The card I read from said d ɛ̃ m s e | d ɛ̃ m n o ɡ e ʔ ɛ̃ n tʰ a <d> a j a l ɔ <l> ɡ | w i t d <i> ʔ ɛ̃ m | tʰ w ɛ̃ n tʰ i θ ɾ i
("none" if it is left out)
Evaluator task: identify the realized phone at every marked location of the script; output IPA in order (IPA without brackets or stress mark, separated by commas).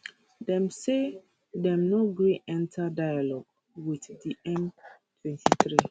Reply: d, none, i